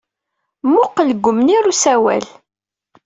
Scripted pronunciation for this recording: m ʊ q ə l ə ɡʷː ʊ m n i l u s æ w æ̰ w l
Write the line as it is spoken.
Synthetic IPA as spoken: m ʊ q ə l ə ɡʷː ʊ m n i ɾ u s æ w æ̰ l